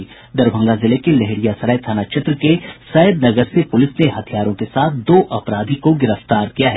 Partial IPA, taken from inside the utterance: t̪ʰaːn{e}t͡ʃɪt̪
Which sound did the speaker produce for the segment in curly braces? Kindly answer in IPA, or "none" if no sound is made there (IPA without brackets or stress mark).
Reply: a